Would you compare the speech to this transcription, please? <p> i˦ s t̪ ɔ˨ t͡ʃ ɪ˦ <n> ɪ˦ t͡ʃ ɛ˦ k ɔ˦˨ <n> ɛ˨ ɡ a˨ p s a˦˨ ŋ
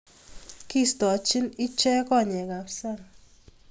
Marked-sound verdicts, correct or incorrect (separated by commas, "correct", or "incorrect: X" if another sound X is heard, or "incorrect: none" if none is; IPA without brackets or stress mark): incorrect: k, correct, incorrect: ɲ